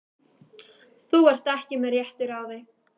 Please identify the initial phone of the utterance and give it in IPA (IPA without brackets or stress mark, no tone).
θ